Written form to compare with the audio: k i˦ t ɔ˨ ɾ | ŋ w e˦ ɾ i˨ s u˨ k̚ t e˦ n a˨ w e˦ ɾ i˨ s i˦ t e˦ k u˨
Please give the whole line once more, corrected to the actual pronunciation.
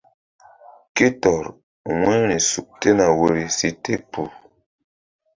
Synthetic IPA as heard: k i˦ t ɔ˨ ɾ | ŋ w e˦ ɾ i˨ s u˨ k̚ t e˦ n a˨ w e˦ ɾ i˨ s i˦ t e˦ p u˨